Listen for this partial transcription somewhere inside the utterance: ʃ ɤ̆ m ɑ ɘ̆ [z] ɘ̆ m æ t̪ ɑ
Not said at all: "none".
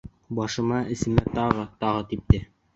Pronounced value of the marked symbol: s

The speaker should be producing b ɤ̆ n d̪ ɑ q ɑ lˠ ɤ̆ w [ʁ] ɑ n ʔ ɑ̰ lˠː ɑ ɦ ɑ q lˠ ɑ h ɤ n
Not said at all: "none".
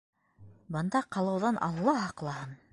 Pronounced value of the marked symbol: ð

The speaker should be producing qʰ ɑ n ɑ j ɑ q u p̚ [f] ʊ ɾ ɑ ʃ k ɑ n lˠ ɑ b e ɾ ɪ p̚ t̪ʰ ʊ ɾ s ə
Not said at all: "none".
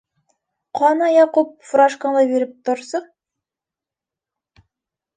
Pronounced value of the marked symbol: f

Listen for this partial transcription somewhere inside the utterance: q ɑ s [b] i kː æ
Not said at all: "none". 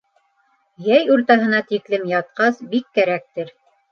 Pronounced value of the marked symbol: b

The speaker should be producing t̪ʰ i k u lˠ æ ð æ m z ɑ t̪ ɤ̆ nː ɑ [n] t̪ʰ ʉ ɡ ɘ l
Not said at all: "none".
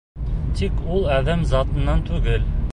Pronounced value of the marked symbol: n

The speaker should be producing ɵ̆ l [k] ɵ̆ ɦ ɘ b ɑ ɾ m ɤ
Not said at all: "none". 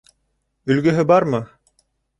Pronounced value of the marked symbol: ɡ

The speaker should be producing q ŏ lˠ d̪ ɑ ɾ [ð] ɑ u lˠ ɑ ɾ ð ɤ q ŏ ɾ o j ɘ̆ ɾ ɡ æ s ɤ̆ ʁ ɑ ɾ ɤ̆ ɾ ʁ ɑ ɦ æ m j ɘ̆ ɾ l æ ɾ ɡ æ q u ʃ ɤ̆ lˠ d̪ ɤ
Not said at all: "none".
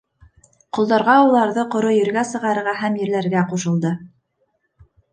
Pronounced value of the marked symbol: ʁ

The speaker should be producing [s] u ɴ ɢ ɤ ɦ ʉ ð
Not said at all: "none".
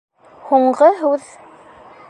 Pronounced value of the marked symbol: h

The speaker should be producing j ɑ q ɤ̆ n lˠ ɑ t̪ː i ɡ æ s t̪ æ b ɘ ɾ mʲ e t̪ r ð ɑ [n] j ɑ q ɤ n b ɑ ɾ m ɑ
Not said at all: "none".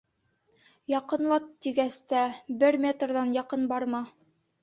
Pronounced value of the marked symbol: n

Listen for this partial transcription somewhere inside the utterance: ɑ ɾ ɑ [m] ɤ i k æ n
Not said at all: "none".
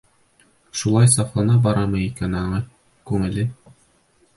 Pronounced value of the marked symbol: m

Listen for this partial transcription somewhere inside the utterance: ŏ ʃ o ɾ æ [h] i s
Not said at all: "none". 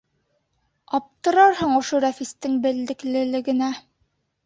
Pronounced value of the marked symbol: f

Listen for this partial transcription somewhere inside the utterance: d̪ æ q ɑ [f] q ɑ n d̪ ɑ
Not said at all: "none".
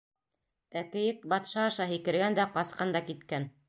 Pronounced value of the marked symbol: s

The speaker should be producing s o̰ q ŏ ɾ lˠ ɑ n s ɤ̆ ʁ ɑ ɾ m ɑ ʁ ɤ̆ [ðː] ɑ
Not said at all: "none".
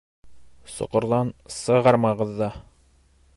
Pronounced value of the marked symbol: ðː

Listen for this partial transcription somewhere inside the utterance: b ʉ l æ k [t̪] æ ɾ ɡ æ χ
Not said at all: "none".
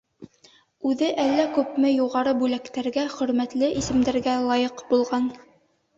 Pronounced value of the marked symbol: t̪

